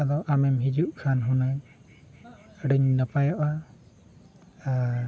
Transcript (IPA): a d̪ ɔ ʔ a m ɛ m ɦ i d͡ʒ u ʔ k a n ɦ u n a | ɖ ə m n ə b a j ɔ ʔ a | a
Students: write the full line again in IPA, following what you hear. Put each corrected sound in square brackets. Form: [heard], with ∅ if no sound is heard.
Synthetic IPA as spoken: a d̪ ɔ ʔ a m ɛ m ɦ i d͡ʒ u ʔ [kʰ] a n ɦ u n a | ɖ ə [ɲ] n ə [p] a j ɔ ʔ a | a